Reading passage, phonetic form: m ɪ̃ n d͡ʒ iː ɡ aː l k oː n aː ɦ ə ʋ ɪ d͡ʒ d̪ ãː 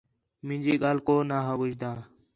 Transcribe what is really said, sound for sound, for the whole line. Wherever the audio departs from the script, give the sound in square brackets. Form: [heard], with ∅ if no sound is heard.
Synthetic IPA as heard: m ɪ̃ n d͡ʒ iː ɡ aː l k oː n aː ɦ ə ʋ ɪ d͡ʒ d̪ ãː